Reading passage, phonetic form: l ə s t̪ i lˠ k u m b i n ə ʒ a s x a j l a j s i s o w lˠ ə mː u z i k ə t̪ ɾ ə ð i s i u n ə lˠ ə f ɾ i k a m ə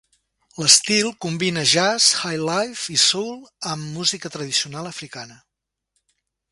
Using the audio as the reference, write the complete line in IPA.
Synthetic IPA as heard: l ə s t̪ i lˠ k u m b i n ə ʒ a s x a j l a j f i s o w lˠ ə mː u z i k ə t̪ ɾ ə ð i s i u n a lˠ ə f ɾ i k a n ə